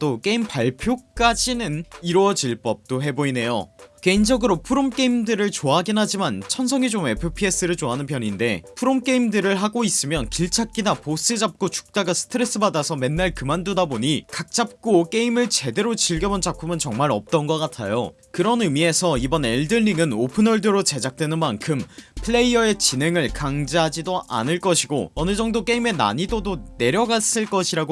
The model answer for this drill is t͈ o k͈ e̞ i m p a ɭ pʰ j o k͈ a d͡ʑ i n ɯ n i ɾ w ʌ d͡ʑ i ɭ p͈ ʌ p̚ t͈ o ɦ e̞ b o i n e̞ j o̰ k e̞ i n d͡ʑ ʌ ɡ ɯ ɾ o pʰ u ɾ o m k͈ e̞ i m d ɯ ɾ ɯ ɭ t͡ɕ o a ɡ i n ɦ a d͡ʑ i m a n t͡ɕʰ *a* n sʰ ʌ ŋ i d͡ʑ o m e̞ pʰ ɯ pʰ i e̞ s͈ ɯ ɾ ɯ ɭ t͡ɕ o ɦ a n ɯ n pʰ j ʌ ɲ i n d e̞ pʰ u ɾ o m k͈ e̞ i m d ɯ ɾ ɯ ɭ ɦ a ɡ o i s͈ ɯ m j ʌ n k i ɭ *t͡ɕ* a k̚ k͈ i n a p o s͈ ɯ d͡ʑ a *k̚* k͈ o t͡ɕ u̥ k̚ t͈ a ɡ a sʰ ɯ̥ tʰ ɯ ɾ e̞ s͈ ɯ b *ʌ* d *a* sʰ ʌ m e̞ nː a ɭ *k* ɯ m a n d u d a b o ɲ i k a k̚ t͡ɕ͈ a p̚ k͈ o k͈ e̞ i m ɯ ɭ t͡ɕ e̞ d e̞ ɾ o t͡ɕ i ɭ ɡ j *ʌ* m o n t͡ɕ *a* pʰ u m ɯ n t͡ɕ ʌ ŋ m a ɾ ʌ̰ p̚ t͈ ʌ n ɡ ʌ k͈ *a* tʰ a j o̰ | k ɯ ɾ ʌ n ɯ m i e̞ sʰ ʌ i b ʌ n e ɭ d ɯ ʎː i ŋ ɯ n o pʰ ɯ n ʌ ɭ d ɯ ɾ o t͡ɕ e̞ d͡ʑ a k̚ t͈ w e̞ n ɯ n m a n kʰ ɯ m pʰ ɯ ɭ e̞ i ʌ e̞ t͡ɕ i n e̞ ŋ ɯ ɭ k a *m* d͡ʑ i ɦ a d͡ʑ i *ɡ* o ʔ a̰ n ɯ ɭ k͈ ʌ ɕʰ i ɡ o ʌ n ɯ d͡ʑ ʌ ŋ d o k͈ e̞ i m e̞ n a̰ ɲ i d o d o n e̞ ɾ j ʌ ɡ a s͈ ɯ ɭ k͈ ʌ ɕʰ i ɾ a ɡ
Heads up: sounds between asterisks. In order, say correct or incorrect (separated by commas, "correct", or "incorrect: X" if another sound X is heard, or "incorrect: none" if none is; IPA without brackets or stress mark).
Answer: incorrect: ʌ, incorrect: t͡ɕʰ, incorrect: p̚, incorrect: a, correct, correct, correct, correct, correct, incorrect: ŋ, incorrect: d